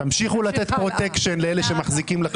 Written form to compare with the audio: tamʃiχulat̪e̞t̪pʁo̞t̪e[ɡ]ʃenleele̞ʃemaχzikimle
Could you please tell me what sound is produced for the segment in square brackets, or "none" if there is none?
k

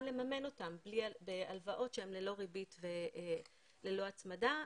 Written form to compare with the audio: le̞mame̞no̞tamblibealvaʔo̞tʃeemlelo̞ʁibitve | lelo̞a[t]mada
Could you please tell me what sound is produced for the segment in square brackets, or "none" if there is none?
t͡s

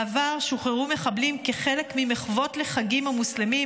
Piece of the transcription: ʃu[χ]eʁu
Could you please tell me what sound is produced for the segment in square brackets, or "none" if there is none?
χ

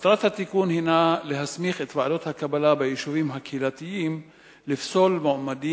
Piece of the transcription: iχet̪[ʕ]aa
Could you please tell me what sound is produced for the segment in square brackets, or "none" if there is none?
v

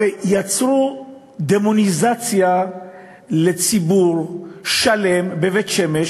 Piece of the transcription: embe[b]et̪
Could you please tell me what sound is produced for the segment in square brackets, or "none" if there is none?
v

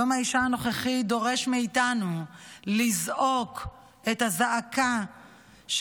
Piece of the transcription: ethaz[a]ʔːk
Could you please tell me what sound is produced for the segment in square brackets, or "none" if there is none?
a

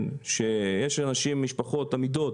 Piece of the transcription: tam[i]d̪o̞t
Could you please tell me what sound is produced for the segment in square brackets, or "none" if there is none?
i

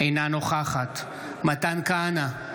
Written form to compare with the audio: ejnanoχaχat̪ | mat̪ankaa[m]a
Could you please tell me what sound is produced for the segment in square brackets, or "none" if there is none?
n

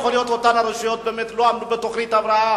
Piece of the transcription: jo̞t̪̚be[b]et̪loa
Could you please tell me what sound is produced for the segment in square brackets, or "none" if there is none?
m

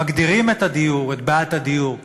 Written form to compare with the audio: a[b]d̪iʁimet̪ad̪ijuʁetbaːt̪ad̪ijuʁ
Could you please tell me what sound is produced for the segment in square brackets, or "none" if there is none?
ɡ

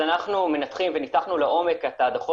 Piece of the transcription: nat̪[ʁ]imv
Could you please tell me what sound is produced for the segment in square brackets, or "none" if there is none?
χ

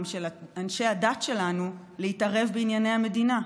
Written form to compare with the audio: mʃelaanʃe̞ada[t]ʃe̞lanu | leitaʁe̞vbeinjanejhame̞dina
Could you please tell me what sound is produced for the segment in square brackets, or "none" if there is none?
t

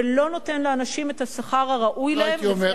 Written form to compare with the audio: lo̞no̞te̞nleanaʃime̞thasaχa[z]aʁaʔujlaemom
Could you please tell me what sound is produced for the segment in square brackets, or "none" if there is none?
ʁ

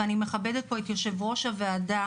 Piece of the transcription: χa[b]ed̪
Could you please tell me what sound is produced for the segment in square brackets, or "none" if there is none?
b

